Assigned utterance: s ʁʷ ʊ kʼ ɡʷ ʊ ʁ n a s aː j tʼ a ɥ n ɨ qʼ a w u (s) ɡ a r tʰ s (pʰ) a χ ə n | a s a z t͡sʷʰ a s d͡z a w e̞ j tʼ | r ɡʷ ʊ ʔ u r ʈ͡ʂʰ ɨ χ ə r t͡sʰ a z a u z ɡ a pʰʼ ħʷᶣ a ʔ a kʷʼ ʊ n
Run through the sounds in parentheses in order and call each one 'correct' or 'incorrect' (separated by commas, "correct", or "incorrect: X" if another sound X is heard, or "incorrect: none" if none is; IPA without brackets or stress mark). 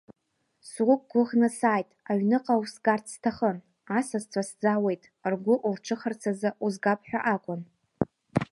correct, incorrect: tʰ